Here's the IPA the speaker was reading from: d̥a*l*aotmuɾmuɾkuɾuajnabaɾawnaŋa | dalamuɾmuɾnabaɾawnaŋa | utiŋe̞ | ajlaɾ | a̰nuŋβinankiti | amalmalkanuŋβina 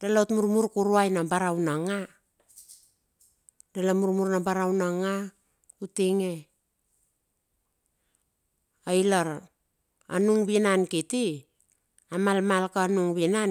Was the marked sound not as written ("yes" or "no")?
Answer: no